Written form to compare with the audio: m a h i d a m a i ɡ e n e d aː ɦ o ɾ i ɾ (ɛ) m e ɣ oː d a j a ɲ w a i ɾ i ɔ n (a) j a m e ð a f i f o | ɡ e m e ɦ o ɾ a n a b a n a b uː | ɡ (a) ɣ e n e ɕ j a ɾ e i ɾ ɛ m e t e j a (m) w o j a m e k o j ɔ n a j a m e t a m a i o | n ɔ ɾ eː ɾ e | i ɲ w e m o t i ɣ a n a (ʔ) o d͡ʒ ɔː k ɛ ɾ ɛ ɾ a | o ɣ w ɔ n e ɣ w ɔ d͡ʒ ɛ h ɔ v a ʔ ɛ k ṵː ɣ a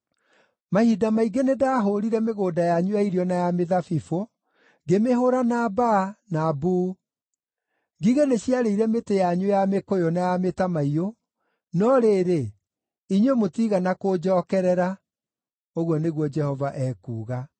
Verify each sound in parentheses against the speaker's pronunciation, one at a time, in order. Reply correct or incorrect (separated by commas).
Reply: correct, correct, incorrect, incorrect, incorrect